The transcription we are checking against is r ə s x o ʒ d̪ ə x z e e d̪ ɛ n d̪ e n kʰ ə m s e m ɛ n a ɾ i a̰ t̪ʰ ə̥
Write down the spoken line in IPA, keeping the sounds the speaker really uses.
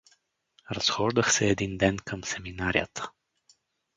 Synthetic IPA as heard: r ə s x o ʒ d̪ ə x s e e d̪ i n d̪ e n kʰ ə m s e m i n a ɾ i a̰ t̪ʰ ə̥

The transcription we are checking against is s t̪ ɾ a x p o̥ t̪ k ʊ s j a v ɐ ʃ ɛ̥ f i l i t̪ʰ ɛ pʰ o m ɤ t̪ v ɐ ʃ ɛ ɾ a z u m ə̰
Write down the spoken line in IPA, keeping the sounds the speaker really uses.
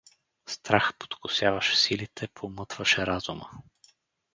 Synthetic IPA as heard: s t̪ ɾ a x p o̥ t̪ k ʊ s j a v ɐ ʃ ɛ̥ s i l i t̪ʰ ɛ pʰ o m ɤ t̪ v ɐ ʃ ɛ ɾ a z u m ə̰

